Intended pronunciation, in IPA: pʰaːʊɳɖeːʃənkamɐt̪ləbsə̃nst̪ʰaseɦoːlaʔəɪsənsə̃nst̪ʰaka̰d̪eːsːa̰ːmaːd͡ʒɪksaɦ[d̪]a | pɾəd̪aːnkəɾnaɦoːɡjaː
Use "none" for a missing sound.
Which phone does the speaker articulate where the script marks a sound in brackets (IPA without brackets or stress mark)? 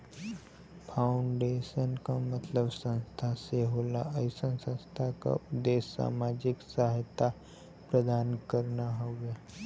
t̪